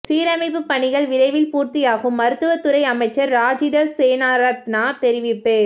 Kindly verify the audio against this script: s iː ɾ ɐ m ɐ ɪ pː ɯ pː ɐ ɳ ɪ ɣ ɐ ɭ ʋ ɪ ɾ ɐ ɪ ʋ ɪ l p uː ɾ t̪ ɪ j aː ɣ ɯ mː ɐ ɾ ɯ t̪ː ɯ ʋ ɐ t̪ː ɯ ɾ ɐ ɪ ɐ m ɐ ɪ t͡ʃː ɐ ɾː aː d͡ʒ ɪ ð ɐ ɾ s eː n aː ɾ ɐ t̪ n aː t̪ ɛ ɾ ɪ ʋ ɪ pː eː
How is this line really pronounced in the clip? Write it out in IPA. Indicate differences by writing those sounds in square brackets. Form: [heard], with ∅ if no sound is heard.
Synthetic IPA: s iː ɾ ɐ m ɐ ɪ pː ɯ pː ɐ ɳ ɪ ɣ ɐ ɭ ʋ ɪ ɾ ɐ ɪ ʋ ɪ l p uː ɾ t̪ ɪ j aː ɣ ɯ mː ɐ ɾ ɯ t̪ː ɯ ʋ ɐ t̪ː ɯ ɾ ɐ ɪ ɐ m ɐ ɪ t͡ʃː ɐ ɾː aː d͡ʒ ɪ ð ɐ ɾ s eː n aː ɾ ɐ t̪ n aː t̪ ɛ ɾ ɪ ʋ ɪ pː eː